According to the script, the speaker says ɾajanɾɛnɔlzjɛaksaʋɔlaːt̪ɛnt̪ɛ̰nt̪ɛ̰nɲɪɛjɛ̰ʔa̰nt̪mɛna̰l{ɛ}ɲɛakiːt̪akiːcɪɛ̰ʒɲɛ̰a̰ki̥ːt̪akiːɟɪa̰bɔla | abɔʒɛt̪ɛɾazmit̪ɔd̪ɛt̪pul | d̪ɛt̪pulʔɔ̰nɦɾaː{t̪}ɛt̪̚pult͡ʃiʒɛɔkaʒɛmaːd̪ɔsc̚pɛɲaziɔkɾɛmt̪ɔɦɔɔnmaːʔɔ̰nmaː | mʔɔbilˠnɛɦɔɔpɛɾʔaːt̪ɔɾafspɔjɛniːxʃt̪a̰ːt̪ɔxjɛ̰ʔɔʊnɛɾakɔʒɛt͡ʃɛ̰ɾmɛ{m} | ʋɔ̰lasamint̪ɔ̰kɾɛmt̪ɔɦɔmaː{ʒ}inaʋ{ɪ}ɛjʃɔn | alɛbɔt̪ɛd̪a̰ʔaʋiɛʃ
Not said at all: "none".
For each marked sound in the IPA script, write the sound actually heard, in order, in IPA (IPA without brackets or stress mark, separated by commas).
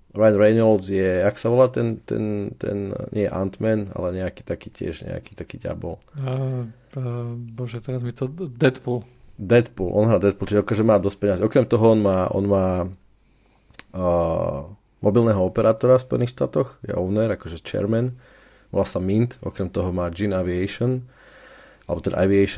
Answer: ɛ, d̪, n, d͡ʒ, i